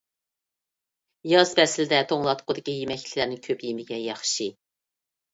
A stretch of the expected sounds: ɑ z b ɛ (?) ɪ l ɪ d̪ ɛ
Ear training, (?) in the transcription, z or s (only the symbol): s